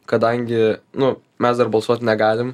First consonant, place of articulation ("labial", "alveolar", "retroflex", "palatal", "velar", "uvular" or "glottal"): velar